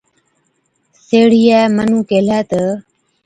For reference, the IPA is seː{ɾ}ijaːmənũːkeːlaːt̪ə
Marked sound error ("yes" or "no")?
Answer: yes